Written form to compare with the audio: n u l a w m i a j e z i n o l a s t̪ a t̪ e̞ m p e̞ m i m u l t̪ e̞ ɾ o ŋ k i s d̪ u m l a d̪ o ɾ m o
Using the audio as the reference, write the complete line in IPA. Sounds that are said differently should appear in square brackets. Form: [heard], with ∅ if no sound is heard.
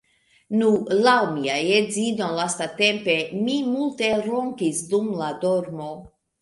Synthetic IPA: n u l a w m i a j e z i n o l a s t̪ a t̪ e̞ m p e̞ m i m u l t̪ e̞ ɾ o ŋ k i s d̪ u m l a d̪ o ɾ m o